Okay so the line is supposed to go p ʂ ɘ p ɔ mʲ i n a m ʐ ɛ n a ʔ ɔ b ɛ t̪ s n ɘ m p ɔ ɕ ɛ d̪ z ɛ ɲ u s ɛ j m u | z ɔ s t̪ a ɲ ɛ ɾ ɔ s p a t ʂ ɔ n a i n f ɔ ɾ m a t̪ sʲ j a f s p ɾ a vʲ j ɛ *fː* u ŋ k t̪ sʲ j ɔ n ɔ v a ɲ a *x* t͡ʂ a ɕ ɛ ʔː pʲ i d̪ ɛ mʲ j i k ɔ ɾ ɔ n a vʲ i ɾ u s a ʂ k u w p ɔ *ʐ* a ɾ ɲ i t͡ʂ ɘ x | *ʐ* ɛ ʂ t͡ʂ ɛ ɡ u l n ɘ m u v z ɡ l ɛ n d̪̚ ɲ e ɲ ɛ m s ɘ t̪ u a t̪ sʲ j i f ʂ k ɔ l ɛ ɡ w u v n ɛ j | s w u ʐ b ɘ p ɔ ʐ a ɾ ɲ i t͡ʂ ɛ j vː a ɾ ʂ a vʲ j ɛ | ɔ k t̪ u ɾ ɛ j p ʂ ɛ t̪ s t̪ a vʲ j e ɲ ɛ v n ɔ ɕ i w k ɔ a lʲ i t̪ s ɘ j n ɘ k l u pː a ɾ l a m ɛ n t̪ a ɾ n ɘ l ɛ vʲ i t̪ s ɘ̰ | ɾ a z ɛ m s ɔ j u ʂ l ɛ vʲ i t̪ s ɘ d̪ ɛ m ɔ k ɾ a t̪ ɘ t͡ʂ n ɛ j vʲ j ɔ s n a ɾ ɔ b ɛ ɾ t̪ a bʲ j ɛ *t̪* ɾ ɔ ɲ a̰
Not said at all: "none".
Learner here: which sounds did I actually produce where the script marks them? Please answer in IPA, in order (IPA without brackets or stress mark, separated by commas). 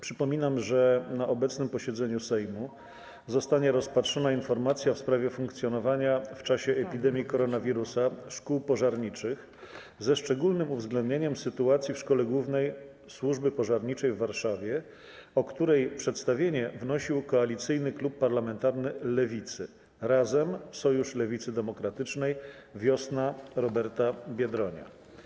f, f, ʐ, z, d̪